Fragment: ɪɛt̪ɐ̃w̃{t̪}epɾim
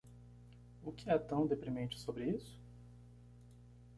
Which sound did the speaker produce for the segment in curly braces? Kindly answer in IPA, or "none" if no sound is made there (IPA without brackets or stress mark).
d̪